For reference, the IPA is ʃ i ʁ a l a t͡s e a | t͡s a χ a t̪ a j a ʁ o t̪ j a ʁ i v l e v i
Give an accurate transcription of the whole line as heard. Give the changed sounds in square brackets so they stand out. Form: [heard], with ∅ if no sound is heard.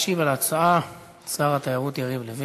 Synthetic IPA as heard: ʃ i [v] a l a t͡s [a] a | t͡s a [ʁ] a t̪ a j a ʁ [u] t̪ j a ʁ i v l e v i